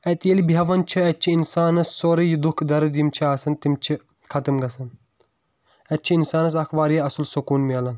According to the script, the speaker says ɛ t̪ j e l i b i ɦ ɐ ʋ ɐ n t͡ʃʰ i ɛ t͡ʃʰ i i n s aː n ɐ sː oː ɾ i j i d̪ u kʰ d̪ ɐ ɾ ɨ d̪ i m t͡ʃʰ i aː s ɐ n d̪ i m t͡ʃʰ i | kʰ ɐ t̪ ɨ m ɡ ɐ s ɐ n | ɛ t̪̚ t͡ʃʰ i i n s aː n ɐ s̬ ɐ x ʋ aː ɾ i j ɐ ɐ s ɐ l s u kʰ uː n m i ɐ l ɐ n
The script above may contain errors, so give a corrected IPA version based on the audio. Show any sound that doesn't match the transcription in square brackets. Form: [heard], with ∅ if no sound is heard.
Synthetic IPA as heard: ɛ t̪ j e l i b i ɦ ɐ ʋ ɐ n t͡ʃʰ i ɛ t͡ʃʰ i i n s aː n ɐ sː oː ɾ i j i d̪ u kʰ d̪ ɐ ɾ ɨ d̪ i m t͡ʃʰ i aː s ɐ n [t̪] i m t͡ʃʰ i | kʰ ɐ t̪ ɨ m ɡ ɐ s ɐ n | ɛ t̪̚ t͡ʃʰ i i n s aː n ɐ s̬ ɐ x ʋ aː ɾ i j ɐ ɐ s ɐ l s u [k] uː n m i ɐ l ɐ n